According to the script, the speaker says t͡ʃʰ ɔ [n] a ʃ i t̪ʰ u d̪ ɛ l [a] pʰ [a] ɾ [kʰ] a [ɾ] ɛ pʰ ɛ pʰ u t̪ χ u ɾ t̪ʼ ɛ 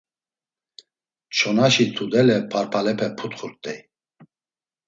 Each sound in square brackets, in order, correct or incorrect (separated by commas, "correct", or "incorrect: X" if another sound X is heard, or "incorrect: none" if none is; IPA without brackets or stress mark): correct, incorrect: ɛ, correct, incorrect: pʰ, incorrect: l